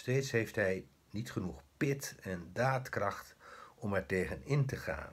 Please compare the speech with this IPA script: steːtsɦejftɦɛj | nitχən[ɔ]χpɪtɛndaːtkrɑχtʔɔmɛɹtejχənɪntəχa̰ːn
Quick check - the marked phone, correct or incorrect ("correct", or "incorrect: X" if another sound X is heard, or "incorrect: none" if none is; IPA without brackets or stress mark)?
incorrect: u